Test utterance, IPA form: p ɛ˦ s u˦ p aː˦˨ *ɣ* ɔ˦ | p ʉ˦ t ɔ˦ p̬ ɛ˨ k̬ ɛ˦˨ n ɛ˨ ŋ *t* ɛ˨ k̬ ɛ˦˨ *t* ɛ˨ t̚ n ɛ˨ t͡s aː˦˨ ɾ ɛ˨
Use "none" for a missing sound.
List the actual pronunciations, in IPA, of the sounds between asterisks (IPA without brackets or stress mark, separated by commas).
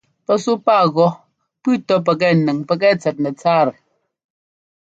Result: ɣ, p, t͡s